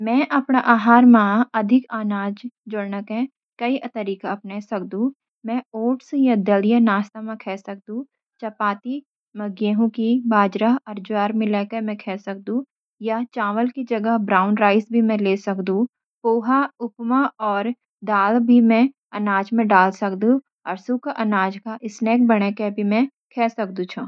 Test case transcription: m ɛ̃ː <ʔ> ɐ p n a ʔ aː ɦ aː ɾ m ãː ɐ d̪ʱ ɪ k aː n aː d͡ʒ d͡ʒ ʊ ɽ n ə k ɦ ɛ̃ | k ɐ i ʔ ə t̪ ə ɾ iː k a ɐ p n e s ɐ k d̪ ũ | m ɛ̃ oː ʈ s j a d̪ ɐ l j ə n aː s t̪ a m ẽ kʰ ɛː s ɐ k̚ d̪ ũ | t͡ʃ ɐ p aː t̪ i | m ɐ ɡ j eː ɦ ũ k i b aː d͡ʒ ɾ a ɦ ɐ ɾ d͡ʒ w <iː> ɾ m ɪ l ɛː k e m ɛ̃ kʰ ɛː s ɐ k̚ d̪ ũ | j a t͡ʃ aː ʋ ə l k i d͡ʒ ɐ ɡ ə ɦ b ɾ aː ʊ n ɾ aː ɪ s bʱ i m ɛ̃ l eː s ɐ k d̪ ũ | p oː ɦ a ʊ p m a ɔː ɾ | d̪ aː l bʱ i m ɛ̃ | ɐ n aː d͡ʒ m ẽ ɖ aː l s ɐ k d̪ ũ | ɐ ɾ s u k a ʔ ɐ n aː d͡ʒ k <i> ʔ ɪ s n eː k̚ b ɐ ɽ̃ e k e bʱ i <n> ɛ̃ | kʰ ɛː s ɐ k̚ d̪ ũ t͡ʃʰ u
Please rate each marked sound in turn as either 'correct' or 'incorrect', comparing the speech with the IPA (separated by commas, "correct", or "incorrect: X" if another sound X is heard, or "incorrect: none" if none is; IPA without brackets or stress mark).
correct, incorrect: aː, incorrect: a, incorrect: m